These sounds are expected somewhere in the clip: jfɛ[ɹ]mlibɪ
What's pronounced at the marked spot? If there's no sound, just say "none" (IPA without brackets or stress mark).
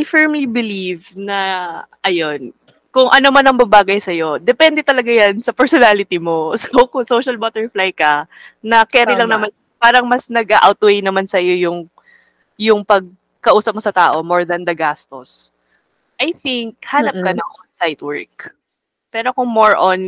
ɹ